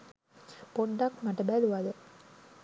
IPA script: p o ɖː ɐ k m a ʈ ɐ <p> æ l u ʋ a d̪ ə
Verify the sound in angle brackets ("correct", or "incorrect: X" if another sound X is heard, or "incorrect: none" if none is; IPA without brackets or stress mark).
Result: incorrect: b